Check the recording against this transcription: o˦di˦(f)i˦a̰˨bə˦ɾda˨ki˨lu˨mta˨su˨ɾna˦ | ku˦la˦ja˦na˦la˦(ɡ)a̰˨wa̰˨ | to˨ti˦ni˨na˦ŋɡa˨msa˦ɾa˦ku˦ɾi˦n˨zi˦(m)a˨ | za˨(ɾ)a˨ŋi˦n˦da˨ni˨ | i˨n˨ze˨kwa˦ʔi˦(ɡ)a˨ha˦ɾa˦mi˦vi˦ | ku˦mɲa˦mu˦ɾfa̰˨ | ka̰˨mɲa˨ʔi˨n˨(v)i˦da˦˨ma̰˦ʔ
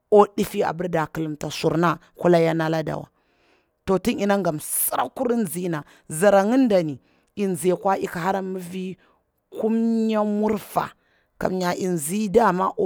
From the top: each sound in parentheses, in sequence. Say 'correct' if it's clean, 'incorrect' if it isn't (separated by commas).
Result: correct, incorrect, incorrect, correct, incorrect, incorrect